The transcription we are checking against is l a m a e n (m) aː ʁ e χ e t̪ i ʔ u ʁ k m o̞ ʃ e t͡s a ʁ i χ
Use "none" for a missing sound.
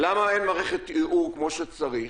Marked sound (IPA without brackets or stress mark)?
m